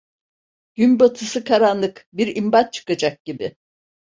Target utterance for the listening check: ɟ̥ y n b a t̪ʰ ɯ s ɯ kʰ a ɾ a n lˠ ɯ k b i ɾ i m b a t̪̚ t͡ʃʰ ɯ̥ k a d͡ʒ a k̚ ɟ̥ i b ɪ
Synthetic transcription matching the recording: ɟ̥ y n b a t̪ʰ ɯ s ɯ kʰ a ɾ a n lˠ ɯ k b i ɾ i m b a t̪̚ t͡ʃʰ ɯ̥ k a d͡ʒ a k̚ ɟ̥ i b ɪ